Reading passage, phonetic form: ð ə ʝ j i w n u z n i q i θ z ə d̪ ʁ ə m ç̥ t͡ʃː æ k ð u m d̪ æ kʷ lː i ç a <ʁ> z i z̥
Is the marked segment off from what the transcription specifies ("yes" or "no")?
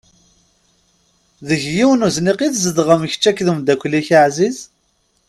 yes